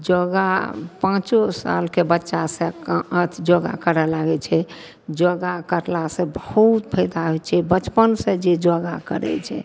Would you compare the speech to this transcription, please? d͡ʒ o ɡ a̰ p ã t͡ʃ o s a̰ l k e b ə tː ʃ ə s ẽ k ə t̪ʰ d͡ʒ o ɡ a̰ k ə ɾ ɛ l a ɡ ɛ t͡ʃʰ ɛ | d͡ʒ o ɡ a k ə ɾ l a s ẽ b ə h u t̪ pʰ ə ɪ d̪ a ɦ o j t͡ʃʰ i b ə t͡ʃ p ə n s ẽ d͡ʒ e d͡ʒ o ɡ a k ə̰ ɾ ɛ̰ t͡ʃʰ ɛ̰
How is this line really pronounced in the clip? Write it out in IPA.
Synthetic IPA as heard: d͡ʒ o ɡ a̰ p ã t͡ʃ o s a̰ l k e b ə tː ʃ a s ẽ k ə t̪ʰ d͡ʒ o ɡ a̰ k ə ɾ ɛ l a ɡ ɛ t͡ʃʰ ɛ | d͡ʒ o ɡ a k ə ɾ l a s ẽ b ə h u t̪ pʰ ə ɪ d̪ a ɦ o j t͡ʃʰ ɛ b ə t͡ʃ p ə n s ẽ d͡ʒ e d͡ʒ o ɡ a k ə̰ ɾ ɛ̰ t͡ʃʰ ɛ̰